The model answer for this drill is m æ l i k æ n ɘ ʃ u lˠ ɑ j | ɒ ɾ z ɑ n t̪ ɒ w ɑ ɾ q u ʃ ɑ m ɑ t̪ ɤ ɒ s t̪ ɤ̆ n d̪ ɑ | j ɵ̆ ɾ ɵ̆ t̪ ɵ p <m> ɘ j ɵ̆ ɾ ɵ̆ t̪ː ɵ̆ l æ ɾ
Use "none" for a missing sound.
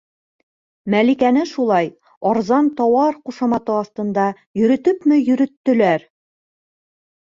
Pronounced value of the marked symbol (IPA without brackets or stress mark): m